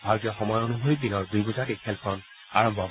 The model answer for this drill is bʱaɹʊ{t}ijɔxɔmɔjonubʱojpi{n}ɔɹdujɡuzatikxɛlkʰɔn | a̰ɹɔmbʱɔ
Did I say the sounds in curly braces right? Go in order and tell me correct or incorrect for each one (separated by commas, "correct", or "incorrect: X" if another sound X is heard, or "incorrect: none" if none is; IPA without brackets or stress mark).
correct, correct